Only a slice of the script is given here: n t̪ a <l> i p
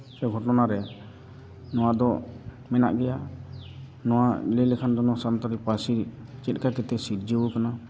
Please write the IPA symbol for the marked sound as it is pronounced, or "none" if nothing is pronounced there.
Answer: ɾ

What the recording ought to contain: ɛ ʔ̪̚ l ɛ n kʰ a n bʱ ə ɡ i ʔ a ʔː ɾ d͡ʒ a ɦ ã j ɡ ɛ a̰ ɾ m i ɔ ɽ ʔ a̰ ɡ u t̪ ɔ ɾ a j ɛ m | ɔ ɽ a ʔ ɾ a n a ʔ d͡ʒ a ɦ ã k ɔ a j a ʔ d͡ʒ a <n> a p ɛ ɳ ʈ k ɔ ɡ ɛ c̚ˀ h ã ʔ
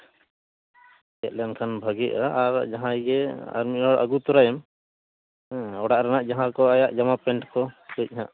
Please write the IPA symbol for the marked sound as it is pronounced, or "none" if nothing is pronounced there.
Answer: m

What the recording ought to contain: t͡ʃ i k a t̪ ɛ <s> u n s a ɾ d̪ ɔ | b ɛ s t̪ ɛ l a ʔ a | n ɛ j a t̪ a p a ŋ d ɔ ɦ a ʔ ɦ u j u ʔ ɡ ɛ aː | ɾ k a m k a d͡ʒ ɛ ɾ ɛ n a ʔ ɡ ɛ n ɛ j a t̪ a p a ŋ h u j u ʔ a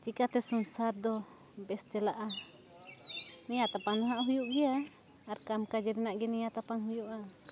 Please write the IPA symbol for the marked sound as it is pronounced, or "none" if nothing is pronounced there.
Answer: s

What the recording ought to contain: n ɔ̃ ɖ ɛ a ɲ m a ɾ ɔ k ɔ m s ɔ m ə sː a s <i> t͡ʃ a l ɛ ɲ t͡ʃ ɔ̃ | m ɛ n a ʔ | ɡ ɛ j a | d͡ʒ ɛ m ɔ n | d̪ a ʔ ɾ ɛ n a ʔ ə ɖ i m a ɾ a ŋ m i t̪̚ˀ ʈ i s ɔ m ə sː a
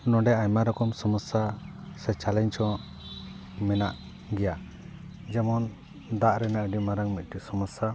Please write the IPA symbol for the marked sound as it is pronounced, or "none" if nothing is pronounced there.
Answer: ɛ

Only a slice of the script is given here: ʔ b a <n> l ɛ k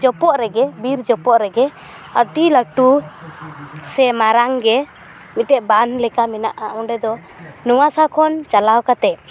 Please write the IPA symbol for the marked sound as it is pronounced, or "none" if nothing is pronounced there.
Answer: n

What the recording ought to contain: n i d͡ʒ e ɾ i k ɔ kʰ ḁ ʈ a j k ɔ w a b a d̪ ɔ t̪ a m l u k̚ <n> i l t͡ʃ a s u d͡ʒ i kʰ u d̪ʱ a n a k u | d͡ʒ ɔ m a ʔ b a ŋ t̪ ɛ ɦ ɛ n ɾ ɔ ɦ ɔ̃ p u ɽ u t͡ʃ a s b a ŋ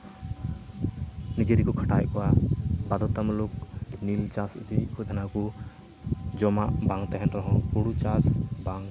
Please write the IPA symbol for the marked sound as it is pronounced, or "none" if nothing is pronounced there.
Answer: n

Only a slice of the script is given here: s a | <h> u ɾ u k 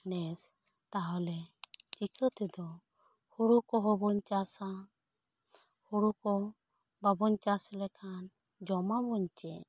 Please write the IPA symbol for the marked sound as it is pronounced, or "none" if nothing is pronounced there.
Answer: h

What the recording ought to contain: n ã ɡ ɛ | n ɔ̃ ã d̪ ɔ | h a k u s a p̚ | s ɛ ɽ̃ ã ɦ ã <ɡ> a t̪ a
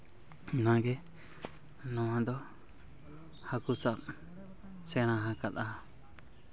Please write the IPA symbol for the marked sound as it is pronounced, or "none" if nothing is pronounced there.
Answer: k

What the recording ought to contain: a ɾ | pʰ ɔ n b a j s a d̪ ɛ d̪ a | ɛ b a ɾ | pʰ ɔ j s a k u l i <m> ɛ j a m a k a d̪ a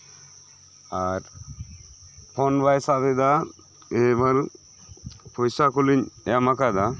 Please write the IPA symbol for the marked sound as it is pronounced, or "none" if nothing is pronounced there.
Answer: ɲ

